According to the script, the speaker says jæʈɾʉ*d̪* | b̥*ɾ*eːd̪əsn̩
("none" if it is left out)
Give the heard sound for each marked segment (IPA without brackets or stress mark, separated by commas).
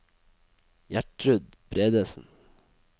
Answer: d̪, ɾ